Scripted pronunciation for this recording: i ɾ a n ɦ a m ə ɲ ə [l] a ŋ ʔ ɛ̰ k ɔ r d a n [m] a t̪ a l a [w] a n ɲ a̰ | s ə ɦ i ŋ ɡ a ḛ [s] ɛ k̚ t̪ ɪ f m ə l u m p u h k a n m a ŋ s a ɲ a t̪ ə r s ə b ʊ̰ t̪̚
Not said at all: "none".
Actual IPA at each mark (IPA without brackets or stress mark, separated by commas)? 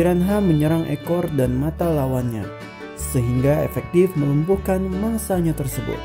ɾ, m, w, f